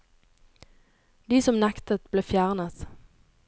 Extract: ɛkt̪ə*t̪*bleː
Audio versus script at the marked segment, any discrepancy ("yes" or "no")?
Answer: no